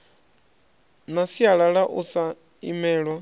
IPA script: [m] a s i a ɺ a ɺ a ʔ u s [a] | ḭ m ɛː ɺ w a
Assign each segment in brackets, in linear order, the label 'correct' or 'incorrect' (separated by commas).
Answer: incorrect, correct